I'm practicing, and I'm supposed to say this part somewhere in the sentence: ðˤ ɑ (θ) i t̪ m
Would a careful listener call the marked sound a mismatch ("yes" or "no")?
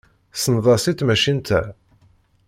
yes